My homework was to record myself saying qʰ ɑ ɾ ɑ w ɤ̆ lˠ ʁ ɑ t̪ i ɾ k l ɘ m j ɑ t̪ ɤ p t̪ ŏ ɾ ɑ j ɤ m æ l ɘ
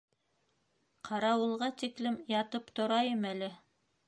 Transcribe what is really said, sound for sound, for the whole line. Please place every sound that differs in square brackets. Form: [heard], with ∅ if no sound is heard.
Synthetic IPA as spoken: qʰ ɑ ɾ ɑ w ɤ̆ lˠ ʁ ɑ t̪ i [∅] k l ɘ m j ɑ t̪ ɤ p t̪ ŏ ɾ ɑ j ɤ m æ l ɘ